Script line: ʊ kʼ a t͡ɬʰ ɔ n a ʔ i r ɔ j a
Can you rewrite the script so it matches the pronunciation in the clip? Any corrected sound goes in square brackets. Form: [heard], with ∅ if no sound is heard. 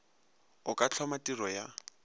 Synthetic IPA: ʊ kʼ a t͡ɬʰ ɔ [m] a [t] i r ɔ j a